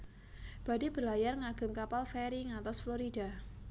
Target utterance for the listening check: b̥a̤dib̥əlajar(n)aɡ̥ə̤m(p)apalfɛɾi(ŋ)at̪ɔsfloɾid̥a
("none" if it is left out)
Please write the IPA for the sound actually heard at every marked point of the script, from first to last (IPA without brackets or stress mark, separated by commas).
ŋ, k, ŋ